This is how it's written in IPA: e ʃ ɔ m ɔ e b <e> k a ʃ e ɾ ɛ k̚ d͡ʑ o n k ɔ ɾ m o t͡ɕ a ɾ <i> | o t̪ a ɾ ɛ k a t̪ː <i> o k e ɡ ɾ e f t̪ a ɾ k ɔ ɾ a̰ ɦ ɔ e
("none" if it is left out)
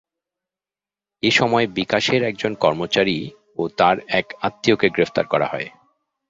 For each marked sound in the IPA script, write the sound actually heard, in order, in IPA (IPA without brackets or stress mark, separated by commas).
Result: i, i, i